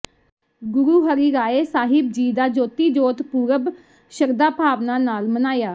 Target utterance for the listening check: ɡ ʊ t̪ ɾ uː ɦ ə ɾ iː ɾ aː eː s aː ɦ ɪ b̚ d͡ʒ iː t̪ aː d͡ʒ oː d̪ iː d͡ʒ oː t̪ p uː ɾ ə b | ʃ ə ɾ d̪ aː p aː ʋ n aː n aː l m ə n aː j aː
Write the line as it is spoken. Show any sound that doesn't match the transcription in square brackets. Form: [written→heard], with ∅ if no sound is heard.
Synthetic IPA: ɡ ʊ [t̪→∅] ɾ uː ɦ ə ɾ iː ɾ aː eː s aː ɦ ɪ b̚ d͡ʒ iː [t̪→d̪] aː d͡ʒ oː [d̪→t̪] iː d͡ʒ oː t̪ p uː ɾ ə b | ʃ ə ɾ d̪ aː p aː ʋ n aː n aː l m ə n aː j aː